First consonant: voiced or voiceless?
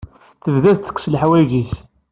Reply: voiceless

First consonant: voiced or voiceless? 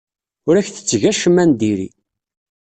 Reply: voiced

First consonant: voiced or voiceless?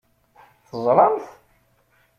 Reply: voiceless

